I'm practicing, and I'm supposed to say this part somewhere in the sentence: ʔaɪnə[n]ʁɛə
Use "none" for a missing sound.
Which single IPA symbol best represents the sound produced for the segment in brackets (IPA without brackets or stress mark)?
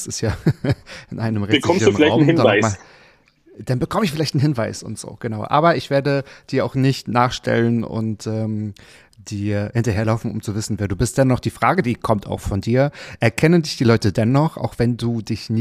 m